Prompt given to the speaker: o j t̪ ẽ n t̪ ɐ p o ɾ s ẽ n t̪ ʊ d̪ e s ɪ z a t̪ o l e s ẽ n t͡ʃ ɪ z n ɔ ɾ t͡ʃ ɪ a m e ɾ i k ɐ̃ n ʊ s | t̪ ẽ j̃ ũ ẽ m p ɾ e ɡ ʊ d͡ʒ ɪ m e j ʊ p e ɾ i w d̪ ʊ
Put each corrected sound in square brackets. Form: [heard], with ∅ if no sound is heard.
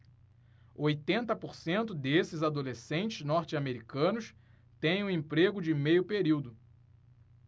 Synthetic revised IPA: o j t̪ ẽ n t̪ ɐ p o ɾ s ẽ n t̪ ʊ d̪ e s ɪ z a [d̪] o l e s ẽ n t͡ʃ ɪ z n ɔ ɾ t͡ʃ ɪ a m e ɾ i k ɐ̃ n ʊ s | t̪ ẽ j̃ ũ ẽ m p ɾ e ɡ ʊ d͡ʒ ɪ m e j ʊ p e ɾ i w d̪ ʊ